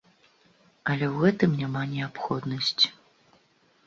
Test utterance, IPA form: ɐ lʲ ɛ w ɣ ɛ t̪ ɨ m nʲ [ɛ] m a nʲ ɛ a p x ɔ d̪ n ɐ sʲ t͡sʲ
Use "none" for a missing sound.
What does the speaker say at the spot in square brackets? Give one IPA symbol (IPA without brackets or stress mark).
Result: a